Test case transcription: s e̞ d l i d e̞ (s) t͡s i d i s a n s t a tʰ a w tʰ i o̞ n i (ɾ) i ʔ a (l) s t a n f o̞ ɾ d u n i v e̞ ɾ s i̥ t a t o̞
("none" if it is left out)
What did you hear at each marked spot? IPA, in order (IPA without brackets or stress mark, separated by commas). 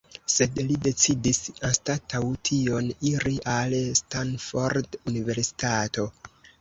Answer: none, ɾ, l